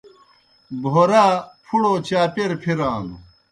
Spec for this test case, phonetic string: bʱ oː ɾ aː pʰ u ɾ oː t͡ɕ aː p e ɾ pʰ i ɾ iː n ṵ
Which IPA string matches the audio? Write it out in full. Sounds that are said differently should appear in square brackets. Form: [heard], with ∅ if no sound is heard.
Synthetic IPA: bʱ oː ɾ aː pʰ u [ɽ] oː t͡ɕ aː p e ɾ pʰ i ɾ [aː] n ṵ